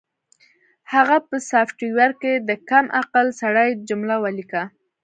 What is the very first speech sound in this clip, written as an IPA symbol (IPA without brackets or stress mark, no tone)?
h